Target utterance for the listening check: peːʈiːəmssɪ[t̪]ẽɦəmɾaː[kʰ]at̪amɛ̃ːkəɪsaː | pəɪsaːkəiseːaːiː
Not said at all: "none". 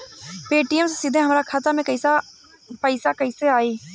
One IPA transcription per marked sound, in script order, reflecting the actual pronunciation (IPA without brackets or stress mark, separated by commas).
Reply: d̪, kʰ